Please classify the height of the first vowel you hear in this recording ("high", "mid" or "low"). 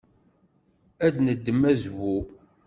low